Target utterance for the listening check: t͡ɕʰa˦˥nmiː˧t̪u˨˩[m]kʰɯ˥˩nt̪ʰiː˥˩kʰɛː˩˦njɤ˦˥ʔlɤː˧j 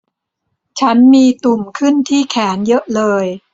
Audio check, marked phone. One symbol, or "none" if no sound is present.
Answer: m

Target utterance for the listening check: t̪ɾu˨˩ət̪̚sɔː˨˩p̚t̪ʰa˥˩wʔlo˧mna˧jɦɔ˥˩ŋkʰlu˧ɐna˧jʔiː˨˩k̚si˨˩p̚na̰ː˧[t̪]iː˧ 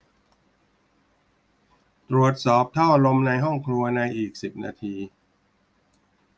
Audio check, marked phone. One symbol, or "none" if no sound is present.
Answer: t̪ʰ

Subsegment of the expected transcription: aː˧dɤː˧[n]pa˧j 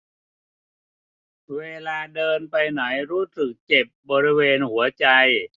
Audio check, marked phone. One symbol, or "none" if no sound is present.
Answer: n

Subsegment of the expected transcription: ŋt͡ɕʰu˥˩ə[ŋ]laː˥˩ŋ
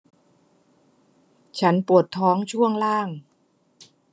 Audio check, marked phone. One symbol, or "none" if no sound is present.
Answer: ŋ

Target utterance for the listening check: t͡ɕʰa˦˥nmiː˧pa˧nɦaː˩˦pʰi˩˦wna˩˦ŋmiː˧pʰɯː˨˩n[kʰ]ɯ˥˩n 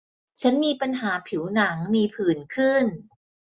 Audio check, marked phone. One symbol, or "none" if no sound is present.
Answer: kʰ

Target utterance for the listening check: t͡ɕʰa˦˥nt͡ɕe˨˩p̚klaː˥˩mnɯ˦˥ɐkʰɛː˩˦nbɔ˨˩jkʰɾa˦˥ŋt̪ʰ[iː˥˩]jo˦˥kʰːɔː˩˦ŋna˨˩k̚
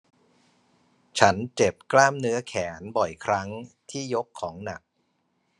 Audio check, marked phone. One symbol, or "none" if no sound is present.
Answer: iː˥˩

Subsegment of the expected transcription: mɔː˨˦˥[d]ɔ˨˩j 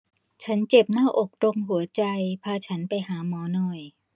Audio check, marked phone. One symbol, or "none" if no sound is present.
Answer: n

